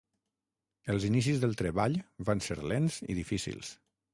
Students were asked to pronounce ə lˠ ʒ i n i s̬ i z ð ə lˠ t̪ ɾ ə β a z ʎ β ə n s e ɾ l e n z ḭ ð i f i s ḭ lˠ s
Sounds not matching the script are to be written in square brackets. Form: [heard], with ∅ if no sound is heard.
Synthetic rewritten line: ə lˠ [z] i n i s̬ i z ð ə lˠ t̪ ɾ ə β a [∅] ʎ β [a] n s e ɾ l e n z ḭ ð i f i s ḭ lˠ s